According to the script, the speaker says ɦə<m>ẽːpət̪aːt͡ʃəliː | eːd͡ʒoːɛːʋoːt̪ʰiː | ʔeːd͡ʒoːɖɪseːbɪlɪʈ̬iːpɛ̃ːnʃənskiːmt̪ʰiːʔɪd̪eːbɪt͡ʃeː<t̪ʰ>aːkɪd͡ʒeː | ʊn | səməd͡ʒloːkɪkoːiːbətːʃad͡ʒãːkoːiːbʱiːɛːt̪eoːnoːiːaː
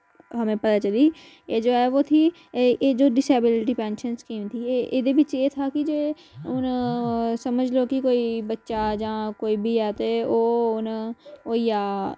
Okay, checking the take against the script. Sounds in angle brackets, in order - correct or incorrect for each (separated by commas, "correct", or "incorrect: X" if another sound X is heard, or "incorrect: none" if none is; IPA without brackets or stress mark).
correct, correct